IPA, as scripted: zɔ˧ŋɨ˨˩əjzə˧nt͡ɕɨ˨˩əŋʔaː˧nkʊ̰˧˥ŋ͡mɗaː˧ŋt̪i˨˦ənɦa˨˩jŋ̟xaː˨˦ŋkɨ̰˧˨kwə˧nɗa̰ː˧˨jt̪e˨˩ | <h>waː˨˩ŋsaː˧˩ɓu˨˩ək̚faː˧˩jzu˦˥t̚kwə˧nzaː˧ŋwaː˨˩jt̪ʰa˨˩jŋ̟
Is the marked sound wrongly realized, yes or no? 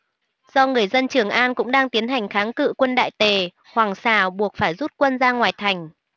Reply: no